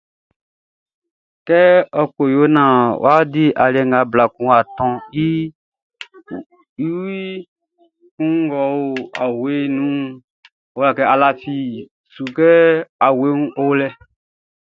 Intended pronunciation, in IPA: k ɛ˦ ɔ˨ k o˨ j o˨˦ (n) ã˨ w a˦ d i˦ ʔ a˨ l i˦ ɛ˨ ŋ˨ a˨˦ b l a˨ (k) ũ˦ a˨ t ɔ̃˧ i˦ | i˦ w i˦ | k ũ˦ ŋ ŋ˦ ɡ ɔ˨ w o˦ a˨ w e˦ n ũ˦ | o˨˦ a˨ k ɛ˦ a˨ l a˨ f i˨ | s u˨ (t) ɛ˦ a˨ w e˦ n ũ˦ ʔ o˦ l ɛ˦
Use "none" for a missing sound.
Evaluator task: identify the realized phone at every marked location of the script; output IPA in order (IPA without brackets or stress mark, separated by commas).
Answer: n, k, k